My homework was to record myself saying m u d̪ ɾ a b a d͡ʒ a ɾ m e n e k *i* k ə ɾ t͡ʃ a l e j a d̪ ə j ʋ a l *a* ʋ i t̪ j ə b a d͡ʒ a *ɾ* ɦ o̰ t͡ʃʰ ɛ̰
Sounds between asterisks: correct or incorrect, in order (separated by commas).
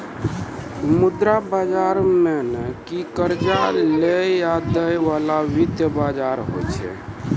correct, correct, correct